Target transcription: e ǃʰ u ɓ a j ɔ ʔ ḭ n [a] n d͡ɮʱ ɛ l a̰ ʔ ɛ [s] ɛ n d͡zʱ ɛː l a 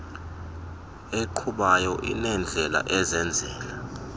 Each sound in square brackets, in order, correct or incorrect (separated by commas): incorrect, incorrect